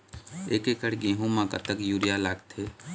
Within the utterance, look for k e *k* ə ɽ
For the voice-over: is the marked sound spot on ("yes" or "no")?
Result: yes